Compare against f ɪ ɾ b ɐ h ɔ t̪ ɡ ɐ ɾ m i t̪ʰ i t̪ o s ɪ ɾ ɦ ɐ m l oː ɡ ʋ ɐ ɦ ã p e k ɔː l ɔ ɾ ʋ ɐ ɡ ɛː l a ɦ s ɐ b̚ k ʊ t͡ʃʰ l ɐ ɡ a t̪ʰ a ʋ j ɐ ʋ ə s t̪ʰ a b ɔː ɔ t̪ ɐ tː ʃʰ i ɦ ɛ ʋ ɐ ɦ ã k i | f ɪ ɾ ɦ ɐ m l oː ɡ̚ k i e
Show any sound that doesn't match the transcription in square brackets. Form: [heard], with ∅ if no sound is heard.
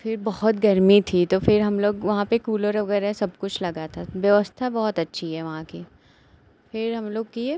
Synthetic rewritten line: f ɪ ɾ b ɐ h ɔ t̪ ɡ ɐ ɾ m i t̪ʰ i t̪ o [f] ɪ ɾ ɦ ɐ m l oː ɡ ʋ ɐ ɦ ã p e k [uː] l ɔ ɾ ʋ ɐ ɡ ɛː [ɾ] a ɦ s ɐ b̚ k ʊ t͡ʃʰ l ɐ ɡ a t̪ʰ a ʋ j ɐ ʋ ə s t̪ʰ a b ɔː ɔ t̪ ɐ tː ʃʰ i ɦ ɛ ʋ ɐ ɦ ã k i | f ɪ ɾ ɦ ɐ m l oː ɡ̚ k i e

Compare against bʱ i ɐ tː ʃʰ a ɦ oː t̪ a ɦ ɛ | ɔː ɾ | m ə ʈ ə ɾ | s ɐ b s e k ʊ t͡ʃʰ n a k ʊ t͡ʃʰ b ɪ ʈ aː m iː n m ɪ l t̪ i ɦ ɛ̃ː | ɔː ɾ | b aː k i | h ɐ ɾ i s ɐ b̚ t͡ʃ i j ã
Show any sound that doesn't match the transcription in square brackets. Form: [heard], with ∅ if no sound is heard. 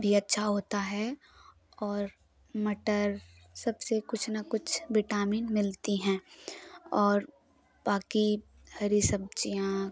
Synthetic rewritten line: bʱ i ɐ tː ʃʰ a ɦ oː t̪ a ɦ ɛ | ɔː ɾ | m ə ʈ ə ɾ | s ɐ b s e k ʊ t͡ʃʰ n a k ʊ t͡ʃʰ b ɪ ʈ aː m iː n m ɪ l t̪ i ɦ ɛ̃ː | ɔː ɾ | b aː k i | h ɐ ɾ i s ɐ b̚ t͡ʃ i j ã

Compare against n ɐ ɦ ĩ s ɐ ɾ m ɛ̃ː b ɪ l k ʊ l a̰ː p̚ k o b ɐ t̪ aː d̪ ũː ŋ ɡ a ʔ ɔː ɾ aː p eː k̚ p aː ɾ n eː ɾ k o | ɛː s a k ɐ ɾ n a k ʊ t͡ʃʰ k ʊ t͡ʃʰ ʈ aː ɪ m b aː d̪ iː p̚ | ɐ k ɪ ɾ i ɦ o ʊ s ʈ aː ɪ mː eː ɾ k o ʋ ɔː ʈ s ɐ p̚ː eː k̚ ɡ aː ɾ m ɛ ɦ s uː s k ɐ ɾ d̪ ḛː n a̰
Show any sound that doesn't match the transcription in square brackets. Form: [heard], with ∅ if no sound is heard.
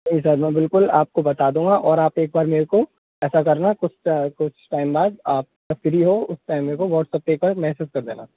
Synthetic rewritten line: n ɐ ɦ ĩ s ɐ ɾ m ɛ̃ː b ɪ l k ʊ l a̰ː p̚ k o b ɐ t̪ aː d̪ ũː ŋ ɡ a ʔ ɔː ɾ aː p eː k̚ [b] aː ɾ [m] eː ɾ k o | ɛː s a k ɐ ɾ n a k ʊ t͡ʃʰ k ʊ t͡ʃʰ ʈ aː ɪ m b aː d̪ [aː] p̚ | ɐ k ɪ ɾ i ɦ o ʊ s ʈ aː ɪ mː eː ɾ k o ʋ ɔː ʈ s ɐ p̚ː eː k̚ [b] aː ɾ m ɛ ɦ s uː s k ɐ ɾ d̪ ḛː n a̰

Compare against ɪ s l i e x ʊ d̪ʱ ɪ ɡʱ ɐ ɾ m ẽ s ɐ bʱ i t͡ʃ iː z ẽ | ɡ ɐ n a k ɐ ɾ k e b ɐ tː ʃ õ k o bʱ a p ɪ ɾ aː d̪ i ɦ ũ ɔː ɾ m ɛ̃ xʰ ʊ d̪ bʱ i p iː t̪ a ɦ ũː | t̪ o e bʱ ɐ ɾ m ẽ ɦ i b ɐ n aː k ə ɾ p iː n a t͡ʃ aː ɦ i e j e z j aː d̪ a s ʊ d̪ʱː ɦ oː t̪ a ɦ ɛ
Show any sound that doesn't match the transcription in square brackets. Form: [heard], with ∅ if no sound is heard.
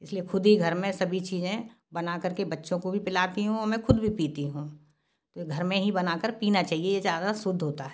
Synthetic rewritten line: ɪ s l i e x ʊ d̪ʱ [i] ɡʱ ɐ ɾ m ẽ s ɐ bʱ i t͡ʃ iː z ẽ | [b] ɐ n a k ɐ ɾ k e b ɐ tː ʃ õ k o bʱ [i] p ɪ [l] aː [t̪] i ɦ ũ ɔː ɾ m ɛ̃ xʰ ʊ d̪ bʱ i p iː t̪ [i] ɦ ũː | t̪ o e [ɡʱ] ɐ ɾ m ẽ ɦ i b ɐ n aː k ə ɾ p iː n a t͡ʃ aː ɦ i e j e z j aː d̪ a s ʊ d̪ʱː ɦ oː t̪ a ɦ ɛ

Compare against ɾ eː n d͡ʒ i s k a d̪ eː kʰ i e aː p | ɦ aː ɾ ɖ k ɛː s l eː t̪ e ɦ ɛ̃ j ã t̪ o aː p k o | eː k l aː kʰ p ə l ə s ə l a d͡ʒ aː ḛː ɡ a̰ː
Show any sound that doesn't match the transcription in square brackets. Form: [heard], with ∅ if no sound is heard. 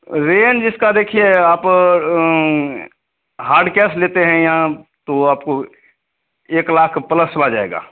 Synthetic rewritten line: ɾ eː n d͡ʒ [ɪ] s k a d̪ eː kʰ i e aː p | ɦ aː ɾ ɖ k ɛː s l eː t̪ e ɦ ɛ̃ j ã t̪ o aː p k o | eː k l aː kʰ p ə l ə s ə l a d͡ʒ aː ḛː ɡ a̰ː

